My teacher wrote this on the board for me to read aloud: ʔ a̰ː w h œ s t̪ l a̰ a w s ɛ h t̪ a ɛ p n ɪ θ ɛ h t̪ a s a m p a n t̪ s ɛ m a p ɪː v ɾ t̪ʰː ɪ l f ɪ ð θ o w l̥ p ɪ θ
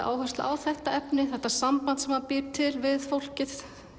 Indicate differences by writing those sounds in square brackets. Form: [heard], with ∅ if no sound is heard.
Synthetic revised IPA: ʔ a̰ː w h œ s t̪ l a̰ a w [θ] ɛ h t̪ a ɛ p n ɪ θ ɛ h t̪ a s a m p a n t̪ s ɛ m a p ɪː [∅] ɾ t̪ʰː ɪ l [v] ɪ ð [f] o w l̥ [c] ɪ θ